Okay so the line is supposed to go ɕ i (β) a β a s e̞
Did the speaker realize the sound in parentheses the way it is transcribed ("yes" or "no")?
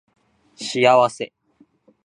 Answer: no